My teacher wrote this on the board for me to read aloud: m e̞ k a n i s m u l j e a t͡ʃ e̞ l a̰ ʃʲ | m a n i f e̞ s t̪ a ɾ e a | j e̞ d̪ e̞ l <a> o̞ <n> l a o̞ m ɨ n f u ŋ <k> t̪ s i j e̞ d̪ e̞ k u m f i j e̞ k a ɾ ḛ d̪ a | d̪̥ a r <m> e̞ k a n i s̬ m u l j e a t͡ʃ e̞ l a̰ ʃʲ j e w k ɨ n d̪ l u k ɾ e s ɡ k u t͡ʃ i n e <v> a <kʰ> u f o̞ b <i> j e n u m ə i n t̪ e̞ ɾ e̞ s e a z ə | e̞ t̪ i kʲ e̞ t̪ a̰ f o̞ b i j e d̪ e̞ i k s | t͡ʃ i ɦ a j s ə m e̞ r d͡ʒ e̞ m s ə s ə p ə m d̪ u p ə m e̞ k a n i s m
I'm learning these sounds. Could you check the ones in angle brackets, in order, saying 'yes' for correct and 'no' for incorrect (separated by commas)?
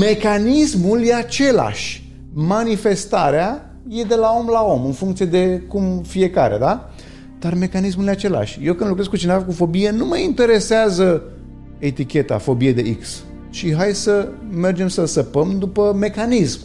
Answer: yes, no, yes, yes, yes, no, yes